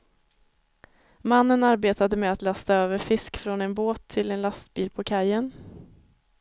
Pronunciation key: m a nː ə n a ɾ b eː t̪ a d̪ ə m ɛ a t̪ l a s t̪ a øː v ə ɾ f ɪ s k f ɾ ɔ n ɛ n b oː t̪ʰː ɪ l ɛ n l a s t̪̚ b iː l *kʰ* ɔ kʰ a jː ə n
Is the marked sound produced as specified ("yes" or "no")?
no